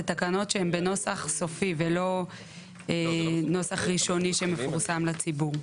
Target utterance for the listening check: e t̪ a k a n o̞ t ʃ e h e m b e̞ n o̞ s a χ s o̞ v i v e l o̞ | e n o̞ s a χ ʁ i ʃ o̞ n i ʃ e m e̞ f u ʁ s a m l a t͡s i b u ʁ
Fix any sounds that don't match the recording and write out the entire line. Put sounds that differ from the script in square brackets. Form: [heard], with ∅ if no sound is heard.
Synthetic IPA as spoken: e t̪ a k a n o̞ t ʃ e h e m b e̞ n o̞ s a χ s o̞ [f] i v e l o̞ | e n o̞ s a χ ʁ i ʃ o̞ n i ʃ e m e̞ f u ʁ s a m l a t͡s i b u ʁ